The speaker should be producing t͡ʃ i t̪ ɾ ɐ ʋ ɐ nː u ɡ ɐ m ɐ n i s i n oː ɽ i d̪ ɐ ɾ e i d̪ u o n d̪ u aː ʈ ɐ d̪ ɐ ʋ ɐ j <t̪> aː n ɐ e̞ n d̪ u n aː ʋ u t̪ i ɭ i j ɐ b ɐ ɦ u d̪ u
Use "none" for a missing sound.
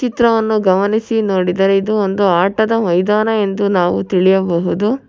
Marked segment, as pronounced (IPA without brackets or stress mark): d̪